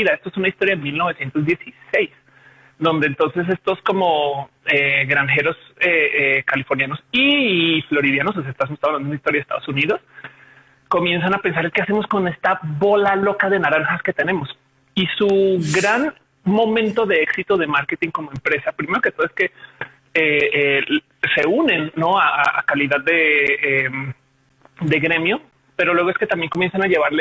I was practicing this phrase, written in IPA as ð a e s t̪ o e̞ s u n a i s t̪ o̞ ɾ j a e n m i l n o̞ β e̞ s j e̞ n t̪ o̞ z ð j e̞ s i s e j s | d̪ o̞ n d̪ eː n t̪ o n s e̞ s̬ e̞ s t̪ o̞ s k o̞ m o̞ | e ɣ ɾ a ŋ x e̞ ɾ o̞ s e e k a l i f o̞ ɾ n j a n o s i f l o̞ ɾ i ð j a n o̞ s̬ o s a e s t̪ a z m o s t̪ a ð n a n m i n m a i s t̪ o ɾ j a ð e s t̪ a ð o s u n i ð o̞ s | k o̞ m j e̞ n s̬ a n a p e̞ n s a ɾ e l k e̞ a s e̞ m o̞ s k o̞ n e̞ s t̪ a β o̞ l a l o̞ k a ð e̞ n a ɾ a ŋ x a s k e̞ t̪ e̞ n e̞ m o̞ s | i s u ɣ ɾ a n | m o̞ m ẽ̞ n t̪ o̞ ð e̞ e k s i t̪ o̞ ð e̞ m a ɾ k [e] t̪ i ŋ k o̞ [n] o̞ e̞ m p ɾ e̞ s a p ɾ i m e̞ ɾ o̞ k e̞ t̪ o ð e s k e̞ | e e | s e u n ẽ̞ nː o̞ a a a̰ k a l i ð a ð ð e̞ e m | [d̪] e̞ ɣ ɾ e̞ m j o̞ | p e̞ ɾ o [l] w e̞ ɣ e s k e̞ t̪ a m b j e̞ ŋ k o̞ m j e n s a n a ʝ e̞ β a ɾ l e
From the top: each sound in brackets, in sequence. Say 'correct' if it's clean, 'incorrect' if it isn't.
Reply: correct, incorrect: m, correct, correct

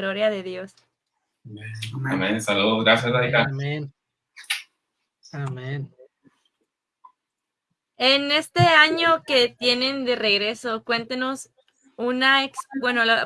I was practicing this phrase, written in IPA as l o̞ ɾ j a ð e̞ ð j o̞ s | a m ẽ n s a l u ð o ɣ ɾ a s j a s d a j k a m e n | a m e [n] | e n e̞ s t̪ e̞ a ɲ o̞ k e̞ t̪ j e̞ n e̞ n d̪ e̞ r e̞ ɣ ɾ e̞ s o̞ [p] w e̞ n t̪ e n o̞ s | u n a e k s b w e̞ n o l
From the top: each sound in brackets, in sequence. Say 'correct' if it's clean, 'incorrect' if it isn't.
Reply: correct, incorrect: k

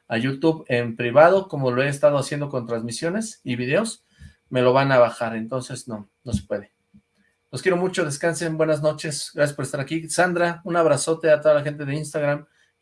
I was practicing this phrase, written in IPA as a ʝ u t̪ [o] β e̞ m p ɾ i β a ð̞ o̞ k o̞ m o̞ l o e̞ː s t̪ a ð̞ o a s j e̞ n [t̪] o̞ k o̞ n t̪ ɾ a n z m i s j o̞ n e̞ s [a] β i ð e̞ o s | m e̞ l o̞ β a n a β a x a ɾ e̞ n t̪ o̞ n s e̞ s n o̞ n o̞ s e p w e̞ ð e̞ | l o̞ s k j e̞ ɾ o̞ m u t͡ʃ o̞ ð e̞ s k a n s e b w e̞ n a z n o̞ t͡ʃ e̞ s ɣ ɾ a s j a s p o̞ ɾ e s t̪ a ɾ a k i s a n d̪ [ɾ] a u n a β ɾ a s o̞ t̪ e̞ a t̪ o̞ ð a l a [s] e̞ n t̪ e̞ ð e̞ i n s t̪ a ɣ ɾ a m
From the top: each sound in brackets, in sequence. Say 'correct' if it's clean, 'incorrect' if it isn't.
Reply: incorrect: u, incorrect: d̪, incorrect: i, correct, incorrect: x

